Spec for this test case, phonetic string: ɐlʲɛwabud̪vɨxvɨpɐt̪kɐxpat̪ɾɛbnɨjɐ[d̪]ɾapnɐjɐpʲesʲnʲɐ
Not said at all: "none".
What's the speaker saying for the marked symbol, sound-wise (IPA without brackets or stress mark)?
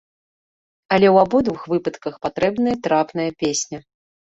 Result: t̪